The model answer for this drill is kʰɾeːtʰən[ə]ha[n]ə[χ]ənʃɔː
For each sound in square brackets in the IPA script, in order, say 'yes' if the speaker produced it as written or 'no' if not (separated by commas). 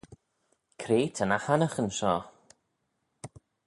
no, yes, yes